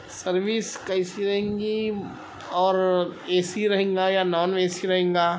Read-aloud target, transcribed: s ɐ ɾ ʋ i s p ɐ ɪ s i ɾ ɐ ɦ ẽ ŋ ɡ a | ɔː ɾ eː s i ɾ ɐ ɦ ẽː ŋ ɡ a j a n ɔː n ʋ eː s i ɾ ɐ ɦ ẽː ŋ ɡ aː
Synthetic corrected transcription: s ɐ ɾ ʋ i s k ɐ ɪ s i ɾ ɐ ɦ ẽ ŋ ɡ i | ɔː ɾ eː s i ɾ ɐ ɦ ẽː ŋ ɡ a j a n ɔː n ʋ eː s i ɾ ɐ ɦ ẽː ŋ ɡ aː